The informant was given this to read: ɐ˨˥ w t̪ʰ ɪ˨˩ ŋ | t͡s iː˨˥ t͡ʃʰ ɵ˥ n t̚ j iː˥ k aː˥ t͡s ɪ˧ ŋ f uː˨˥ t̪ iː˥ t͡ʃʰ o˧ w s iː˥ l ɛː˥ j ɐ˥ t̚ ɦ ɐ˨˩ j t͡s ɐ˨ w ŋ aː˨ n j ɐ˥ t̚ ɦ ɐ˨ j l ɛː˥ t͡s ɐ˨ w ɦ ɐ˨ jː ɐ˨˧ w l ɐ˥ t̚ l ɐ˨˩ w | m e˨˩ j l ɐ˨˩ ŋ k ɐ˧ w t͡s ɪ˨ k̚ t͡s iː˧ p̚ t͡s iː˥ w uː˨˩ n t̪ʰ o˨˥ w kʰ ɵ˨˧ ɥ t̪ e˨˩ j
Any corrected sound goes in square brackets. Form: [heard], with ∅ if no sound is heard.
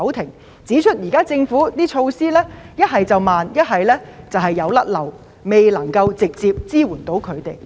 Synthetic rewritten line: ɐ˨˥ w t̪ʰ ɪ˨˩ ŋ | t͡s iː˨˥ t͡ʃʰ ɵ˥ [∅] t̚ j [iː˨˩] k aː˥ t͡s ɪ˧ ŋ f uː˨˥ t̪ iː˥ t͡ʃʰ o˧ w s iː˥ l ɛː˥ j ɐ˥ t̚ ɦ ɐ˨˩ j t͡s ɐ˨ w [m] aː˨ n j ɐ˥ t̚ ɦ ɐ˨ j l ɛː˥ t͡s ɐ˨ w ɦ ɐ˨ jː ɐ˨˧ w l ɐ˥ t̚ l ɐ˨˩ w | m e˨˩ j l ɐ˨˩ ŋ k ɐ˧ w t͡s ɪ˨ k̚ t͡s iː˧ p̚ t͡s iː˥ w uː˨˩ n [t̪] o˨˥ w kʰ ɵ˨˧ ɥ t̪ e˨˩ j